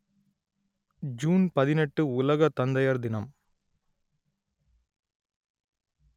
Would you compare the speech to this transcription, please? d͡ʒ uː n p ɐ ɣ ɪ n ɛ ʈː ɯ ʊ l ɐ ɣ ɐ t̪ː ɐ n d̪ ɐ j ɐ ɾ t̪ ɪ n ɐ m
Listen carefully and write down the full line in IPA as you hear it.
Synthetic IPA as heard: d͡ʒ uː n p ɐ ð ɪ n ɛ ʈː ɯ ʊ l ɐ ɣ ɐ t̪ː ɐ n d̪ ɐ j ɐ ɾ d̪ ɪ n ɐ m